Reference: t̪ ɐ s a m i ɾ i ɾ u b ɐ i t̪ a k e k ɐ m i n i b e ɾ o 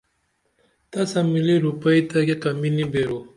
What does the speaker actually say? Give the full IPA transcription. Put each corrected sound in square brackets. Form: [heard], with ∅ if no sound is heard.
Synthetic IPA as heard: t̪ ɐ s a m i [l] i ɾ u [p] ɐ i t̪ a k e k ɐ m i n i b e ɾ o